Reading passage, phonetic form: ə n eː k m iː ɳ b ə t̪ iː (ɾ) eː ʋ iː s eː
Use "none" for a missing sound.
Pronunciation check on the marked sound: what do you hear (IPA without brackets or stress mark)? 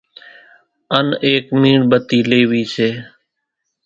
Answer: l